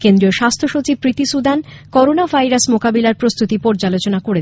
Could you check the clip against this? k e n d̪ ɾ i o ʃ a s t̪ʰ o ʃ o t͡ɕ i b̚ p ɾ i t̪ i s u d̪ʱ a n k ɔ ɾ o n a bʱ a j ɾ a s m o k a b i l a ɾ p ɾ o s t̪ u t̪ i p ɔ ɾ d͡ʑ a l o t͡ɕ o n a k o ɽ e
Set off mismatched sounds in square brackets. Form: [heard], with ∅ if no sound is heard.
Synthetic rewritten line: k e n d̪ ɾ i o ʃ a s t̪ʰ o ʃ o t͡ɕ i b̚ p ɾ i t̪ i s u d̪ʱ a n k ɔ ɾ o n a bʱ a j ɾ a s m o k a b i l a ɾ p ɾ o s t̪ u t̪ i p ɔ ɾ d͡ʑ a l o t͡ɕ o n a k o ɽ e